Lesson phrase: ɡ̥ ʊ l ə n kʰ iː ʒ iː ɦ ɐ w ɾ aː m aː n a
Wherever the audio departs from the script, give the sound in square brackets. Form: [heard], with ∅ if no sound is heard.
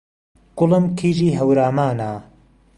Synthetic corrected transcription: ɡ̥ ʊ l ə [m] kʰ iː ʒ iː ɦ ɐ w ɾ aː m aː n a